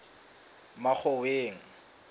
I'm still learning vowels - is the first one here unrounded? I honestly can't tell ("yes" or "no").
yes